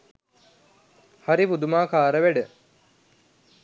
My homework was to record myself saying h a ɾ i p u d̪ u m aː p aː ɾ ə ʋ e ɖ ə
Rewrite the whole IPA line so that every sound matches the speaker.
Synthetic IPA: h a ɾ i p u d̪ u m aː k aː ɾ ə ʋ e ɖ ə